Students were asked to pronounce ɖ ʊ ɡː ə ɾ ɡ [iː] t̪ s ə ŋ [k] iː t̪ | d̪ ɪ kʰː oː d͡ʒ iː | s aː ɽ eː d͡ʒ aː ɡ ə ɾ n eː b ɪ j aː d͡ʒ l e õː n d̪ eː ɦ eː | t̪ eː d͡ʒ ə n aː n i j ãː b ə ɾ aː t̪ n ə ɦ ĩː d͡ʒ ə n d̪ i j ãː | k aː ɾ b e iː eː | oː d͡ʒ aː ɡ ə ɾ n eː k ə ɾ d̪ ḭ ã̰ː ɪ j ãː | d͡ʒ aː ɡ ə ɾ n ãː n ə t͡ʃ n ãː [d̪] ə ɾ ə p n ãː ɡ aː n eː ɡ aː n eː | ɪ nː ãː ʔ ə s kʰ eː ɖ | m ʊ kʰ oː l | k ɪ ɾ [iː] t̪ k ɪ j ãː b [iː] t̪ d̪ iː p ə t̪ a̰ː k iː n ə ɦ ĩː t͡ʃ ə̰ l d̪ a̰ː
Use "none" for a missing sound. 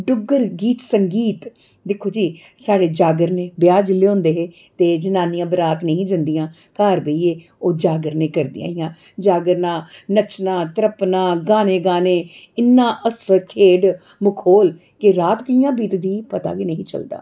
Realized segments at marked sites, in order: iː, ɡ, t̪, aː, iː

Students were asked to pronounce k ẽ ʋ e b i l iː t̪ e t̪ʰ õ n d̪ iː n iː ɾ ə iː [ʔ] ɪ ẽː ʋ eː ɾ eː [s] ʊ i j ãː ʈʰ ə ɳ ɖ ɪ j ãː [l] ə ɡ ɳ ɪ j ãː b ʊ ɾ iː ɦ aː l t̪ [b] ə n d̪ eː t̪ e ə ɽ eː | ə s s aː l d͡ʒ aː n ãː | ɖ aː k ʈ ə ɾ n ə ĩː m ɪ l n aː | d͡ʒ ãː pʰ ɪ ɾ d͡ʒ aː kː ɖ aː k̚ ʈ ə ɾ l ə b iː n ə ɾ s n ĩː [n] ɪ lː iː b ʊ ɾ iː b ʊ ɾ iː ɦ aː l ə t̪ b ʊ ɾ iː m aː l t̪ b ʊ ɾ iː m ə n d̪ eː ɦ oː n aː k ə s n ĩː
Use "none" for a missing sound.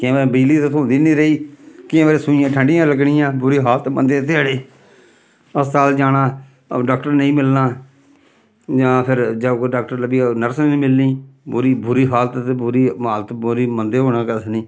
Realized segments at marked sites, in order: k, s, l, m, m

